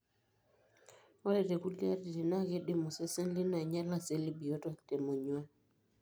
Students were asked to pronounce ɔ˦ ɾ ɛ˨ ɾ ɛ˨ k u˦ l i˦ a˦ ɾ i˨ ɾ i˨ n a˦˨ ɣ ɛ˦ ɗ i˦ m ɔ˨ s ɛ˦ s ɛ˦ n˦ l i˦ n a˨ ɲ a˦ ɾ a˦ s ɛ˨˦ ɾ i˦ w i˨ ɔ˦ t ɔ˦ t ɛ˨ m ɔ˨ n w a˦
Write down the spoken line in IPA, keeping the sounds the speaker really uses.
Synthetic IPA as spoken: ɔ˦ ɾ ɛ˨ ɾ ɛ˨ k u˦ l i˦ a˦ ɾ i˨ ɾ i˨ n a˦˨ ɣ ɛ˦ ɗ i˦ m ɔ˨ s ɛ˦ s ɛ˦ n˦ l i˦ n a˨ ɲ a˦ l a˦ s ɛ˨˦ l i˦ b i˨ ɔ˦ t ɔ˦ t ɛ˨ m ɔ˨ ɲ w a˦

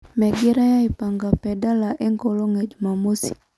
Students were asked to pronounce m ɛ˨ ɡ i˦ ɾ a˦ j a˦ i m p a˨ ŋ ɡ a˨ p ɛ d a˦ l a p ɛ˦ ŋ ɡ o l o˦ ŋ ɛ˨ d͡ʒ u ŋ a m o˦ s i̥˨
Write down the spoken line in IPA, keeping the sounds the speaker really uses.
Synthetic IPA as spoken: m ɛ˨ ɡ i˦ ɾ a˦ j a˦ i p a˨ ŋ ɡ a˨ p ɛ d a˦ l a ʔ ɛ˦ ŋ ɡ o l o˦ ŋ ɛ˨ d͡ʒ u m a m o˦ s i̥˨

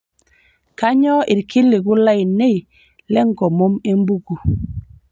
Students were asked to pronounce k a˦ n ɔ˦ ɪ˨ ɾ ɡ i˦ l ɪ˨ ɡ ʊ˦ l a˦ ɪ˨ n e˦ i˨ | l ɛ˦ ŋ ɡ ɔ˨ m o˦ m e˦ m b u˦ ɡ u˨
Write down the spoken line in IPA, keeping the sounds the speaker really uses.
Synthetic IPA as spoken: k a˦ ɲ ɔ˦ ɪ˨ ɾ k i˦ l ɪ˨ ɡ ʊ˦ l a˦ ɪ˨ n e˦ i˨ | l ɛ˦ ŋ ɡ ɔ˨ m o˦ m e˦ m b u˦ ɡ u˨

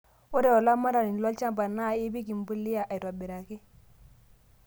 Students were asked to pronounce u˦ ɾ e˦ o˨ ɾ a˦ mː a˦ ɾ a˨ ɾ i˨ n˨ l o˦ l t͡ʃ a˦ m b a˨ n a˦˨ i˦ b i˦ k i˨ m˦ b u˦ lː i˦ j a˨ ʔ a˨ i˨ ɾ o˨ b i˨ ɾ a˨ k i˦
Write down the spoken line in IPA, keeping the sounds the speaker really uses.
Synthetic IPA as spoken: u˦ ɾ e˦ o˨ l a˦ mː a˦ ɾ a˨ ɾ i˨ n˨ l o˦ l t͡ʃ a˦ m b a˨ n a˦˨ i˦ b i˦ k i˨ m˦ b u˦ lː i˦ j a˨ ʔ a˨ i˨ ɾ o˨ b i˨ ɾ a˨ k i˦

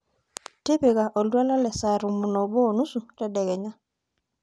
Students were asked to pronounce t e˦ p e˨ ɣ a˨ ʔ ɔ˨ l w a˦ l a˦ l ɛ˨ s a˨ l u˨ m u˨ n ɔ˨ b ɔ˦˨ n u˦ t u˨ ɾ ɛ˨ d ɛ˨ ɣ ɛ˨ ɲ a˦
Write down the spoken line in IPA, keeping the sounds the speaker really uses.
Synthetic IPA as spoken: t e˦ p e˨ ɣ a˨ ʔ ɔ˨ l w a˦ l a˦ l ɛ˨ s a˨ ɾ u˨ m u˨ n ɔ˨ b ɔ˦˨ n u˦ s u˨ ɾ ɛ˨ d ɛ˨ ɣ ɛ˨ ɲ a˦

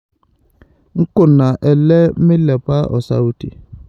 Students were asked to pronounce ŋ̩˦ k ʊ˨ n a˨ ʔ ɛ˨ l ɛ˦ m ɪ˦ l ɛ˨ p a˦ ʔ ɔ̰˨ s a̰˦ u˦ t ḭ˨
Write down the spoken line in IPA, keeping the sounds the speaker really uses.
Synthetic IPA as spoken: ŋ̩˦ k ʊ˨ n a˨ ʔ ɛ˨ l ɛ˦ m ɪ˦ l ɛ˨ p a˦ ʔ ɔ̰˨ s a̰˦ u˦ t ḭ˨

